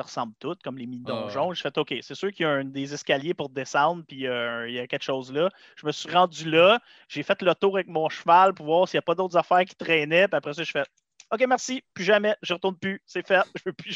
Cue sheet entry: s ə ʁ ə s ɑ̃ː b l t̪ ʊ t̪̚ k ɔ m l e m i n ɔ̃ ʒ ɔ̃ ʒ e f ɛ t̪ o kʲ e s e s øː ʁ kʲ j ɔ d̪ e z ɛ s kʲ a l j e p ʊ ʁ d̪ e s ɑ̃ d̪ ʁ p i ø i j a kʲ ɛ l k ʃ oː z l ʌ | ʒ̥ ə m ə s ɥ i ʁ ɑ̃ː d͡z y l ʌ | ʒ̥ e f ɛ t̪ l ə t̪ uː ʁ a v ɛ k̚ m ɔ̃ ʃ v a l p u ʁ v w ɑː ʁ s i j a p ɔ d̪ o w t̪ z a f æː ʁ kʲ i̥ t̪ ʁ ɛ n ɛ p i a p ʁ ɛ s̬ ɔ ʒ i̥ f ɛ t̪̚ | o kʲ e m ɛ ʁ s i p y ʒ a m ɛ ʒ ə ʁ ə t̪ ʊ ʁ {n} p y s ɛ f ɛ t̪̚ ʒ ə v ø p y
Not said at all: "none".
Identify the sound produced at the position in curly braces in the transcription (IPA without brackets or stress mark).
n